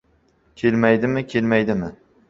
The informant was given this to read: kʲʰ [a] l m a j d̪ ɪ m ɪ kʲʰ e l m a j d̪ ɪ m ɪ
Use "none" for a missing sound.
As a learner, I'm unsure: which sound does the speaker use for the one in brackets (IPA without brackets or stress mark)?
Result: e